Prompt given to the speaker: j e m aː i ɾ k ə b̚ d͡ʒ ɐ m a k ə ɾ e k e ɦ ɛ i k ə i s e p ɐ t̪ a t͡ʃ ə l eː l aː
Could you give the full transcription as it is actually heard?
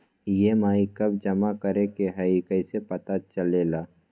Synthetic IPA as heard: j e m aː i k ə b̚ d͡ʒ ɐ m a k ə ɾ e k e ɦ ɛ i k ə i s e p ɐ t̪ a t͡ʃ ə l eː l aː